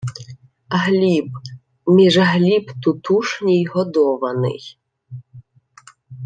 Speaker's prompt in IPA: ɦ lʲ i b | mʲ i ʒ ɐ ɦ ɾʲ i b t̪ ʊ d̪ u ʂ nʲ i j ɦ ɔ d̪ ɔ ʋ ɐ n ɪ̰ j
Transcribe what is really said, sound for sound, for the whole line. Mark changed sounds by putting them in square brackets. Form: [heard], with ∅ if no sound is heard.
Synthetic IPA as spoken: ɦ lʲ i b | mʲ i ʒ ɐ ɦ [lʲ] i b t̪ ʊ [t̪] u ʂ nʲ i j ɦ ɔ d̪ ɔ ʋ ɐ n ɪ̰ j